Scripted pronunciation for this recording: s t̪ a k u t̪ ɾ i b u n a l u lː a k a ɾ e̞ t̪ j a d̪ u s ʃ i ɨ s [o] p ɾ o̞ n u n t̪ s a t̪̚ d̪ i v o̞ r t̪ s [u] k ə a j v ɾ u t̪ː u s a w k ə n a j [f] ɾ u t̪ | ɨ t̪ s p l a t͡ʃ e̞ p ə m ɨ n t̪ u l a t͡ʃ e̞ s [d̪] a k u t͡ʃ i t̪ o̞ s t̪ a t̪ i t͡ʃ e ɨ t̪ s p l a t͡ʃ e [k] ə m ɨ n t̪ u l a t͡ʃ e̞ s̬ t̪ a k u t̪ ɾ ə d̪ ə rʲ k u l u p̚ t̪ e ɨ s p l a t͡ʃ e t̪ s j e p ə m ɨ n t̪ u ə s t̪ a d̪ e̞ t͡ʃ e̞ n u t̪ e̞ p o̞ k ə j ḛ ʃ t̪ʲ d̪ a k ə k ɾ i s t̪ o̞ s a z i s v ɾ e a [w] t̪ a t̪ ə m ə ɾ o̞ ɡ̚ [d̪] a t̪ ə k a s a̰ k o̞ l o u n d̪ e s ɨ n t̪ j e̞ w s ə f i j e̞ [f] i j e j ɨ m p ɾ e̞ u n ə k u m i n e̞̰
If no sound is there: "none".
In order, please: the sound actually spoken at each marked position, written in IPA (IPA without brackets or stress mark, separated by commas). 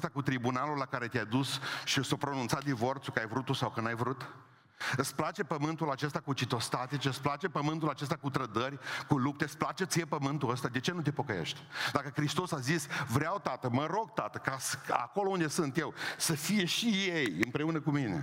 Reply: o, u, v, t̪, p, w, t̪, ʃ